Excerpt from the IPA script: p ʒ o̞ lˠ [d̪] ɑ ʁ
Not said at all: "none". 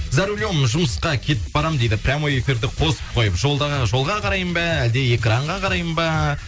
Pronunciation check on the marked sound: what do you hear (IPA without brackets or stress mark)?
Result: d̪